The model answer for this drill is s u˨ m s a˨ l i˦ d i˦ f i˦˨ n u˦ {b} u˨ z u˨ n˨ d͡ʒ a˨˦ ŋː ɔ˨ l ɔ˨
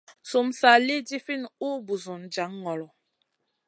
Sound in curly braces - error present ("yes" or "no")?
no